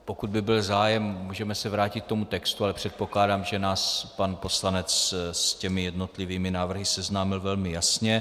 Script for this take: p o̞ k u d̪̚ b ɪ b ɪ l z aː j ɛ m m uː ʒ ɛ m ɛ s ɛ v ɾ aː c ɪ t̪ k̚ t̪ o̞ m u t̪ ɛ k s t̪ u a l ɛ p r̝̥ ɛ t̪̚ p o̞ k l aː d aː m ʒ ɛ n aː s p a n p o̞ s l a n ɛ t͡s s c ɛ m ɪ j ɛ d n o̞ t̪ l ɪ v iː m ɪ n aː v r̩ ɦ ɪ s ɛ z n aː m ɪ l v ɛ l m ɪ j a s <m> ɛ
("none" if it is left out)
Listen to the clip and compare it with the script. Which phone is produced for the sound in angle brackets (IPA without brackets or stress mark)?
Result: ɲ